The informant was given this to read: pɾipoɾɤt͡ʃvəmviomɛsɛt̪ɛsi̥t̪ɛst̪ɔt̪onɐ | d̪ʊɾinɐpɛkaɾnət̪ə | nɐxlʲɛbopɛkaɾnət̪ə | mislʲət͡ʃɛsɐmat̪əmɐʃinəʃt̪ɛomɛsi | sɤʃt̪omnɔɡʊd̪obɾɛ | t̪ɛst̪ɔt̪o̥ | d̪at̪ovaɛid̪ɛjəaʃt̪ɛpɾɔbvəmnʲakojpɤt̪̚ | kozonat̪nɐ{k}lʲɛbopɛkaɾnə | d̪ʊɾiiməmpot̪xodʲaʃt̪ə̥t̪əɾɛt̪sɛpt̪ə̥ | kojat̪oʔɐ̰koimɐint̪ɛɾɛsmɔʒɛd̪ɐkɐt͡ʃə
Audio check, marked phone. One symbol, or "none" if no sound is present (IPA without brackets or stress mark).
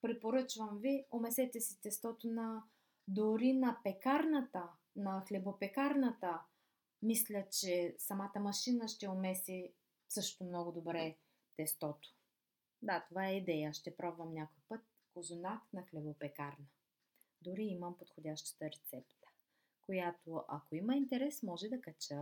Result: x